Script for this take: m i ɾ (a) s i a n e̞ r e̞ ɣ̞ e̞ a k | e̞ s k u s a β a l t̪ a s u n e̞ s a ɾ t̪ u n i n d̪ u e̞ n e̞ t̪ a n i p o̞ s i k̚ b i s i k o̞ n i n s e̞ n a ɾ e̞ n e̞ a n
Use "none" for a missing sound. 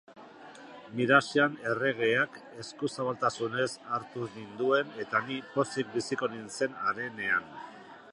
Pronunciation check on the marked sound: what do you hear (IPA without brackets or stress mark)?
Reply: a